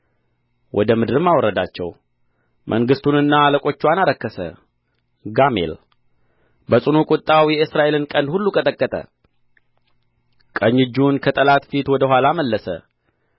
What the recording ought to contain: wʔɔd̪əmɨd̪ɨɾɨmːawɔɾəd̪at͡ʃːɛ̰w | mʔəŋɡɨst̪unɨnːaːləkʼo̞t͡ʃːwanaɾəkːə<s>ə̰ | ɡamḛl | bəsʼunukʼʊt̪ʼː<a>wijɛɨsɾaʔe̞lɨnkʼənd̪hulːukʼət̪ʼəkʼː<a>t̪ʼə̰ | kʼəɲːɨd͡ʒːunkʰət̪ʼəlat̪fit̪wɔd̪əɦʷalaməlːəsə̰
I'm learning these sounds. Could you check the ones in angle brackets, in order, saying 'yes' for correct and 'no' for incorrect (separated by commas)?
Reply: yes, yes, no